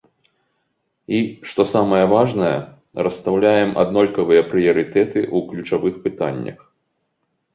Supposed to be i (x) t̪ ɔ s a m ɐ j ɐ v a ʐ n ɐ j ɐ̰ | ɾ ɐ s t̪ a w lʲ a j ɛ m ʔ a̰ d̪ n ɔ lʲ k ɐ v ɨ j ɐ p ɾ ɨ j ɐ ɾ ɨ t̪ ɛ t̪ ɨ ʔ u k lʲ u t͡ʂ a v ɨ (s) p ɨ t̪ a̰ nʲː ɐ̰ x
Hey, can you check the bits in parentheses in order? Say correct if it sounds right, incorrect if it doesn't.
incorrect: ʂ, incorrect: x

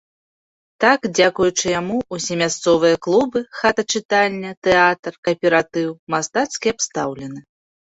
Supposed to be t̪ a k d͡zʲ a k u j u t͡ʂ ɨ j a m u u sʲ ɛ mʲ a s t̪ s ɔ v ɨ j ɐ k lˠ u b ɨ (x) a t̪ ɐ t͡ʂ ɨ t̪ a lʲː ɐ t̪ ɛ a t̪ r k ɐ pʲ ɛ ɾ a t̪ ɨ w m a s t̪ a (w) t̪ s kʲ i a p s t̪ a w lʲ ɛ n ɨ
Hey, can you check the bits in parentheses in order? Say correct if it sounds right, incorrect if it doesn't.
correct, incorrect: none

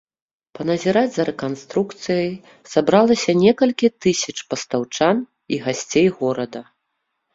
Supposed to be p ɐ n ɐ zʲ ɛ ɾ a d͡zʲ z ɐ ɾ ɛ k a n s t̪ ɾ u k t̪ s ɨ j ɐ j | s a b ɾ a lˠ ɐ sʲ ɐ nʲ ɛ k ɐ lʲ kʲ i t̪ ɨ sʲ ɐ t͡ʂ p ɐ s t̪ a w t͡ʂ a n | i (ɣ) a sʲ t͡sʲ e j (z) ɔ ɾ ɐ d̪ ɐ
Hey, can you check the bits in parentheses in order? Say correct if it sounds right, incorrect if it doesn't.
correct, incorrect: ɣ

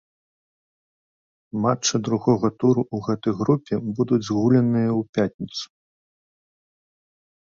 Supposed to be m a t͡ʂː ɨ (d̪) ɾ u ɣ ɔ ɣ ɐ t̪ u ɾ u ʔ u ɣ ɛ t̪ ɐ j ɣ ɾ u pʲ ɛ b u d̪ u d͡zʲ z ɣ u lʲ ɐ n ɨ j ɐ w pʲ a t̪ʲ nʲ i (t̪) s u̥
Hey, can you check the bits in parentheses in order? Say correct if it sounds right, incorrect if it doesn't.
correct, correct

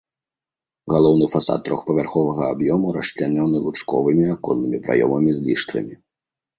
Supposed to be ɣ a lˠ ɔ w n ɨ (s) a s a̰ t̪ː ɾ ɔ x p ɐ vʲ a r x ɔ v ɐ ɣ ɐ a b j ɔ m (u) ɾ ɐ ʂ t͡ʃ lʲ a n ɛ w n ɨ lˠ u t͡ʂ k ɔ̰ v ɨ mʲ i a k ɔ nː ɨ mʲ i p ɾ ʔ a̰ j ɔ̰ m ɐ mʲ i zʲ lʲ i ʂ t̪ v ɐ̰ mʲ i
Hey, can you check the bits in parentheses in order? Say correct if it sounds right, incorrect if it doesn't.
incorrect: f, correct

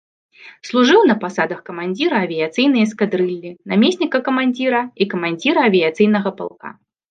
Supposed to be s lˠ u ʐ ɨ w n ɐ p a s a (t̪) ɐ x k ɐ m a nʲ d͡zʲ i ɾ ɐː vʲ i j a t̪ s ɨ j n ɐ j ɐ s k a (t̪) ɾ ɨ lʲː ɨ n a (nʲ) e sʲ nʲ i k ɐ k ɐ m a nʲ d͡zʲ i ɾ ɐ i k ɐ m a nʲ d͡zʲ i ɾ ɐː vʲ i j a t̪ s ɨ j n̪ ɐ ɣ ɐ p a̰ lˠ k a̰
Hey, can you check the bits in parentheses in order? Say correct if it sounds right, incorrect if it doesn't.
incorrect: d̪, incorrect: d̪, incorrect: mʲ

